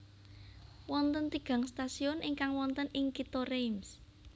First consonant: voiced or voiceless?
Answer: voiced